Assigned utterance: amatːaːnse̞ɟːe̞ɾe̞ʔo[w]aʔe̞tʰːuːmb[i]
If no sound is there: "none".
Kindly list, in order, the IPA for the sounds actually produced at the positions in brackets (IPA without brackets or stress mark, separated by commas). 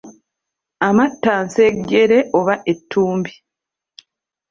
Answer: β, i